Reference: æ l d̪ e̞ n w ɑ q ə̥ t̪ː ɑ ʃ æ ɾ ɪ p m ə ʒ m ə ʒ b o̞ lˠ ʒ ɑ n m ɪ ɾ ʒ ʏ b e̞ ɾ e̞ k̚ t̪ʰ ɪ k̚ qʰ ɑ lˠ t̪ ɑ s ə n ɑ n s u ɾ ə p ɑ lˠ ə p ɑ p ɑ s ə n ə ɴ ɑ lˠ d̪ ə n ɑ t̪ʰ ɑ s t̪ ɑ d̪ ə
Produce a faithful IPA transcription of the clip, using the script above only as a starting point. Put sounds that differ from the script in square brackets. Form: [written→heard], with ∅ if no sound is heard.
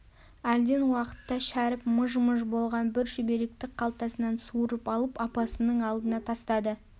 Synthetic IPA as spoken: æ l d̪ e̞ n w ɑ q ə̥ t̪ː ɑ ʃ æ ɾ ɪ p m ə ʒ m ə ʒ b o̞ lˠ [ʒ→ʁ] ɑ n [m→b] ɪ ɾ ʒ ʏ b e̞ ɾ e̞ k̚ [t̪ʰ→t̪] ɪ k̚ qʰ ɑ lˠ t̪ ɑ s ə n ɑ n s u ɾ ə p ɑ lˠ ə p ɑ p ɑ s ə n ə ɴ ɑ lˠ d̪ ə n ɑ t̪ʰ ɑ s t̪ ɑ d̪ ə